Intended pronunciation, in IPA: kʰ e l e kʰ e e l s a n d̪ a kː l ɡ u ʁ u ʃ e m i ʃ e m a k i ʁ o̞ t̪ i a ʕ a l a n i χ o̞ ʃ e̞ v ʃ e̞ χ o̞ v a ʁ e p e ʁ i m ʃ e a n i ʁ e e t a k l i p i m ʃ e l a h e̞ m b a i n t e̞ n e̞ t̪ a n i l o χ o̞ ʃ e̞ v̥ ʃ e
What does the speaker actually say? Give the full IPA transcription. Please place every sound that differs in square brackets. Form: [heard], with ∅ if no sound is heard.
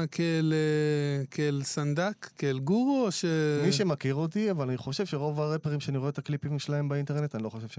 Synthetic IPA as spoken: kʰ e l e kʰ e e l s a n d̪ a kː l ɡ u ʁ [o] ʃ e m i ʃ e m a k i ʁ o̞ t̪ i a [v] a l a n i χ o̞ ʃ e̞ v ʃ e̞ [ʁ] o̞ v a ʁ e p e ʁ i m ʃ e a n i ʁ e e t a k l i p i m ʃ e l a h e̞ m b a i n t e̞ n e̞ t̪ a n i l o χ o̞ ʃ e̞ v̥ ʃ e